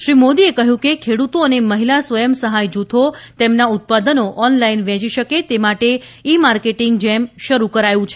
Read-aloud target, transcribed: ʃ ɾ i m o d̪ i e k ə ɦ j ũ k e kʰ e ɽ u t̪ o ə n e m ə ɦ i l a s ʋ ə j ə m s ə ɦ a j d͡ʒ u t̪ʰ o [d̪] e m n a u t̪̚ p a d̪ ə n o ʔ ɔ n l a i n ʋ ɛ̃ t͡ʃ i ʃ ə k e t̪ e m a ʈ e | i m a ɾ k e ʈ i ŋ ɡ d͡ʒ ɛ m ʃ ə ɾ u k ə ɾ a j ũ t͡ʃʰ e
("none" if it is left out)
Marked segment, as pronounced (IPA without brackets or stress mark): t̪